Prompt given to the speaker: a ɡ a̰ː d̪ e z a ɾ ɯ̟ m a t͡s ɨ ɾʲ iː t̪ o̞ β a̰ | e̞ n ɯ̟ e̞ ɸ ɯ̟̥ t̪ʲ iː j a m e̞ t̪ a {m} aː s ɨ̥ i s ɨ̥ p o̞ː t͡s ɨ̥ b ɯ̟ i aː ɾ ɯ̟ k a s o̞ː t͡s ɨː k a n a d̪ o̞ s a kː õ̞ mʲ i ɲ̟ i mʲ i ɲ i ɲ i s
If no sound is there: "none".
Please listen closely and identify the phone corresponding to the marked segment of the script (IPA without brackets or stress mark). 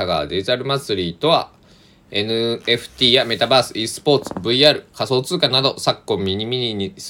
b